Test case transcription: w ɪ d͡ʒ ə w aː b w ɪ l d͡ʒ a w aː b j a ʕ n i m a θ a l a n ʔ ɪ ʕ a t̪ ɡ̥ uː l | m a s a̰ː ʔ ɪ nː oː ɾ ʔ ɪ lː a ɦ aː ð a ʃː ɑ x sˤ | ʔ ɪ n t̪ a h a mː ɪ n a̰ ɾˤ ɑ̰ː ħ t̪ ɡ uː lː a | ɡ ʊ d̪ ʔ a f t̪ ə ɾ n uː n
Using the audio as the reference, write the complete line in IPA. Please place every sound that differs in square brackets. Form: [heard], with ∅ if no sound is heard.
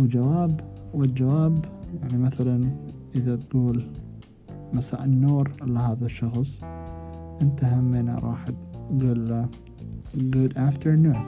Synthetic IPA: w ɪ d͡ʒ [a] w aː b w ɪ l d͡ʒ a w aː b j a ʕ n i m a θ a l a n ʔ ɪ [ð] a t̪ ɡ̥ uː l | m a s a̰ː ʔ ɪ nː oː ɾ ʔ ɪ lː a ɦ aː ð a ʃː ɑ x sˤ | ʔ ɪ n t̪ a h a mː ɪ n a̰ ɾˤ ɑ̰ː ħ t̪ ɡ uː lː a | ɡ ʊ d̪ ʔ a f t̪ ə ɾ n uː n